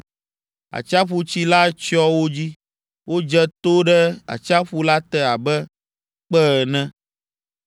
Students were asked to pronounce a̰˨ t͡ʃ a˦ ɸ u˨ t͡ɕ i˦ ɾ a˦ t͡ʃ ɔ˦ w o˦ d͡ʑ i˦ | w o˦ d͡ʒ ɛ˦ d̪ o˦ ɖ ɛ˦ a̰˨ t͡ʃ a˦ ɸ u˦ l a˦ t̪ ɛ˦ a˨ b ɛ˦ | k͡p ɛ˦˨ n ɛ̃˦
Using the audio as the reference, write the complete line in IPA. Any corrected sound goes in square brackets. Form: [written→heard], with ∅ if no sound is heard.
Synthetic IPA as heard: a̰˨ t͡ʃ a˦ ɸ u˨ t͡ɕ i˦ [ɾ→l] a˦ t͡ʃ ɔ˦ w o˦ d͡ʑ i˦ | w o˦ d͡ʒ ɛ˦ [d̪→t̪] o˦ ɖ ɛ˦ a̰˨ t͡ʃ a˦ ɸ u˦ l a˦ t̪ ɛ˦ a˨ b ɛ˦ | k͡p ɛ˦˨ n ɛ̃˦